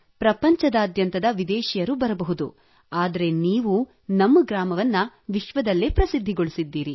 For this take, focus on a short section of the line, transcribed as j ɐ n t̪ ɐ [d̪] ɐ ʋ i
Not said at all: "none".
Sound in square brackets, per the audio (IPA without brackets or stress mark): d̪